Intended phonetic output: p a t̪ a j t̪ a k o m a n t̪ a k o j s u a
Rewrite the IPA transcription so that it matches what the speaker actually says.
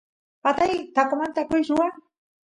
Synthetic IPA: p a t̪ a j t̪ a k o m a n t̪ a k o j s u a